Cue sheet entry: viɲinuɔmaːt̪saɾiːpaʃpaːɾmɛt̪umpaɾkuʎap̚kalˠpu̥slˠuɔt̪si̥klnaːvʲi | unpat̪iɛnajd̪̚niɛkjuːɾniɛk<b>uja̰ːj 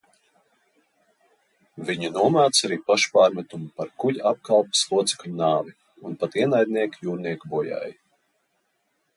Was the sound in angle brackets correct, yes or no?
yes